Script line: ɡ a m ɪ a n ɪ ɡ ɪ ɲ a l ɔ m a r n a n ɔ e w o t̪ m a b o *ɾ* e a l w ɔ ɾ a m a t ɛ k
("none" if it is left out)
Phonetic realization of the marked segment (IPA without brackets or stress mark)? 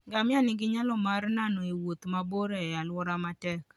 ɾ